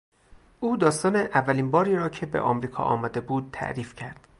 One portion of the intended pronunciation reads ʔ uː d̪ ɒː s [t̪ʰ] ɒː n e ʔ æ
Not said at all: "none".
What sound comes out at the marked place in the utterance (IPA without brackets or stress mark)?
t̪